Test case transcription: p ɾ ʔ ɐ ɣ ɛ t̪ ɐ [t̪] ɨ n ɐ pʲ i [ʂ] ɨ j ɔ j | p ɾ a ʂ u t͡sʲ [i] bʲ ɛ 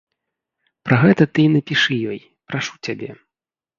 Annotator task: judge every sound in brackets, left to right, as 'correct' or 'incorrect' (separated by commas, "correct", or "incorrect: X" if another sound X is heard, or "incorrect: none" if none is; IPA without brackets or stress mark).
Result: correct, correct, incorrect: a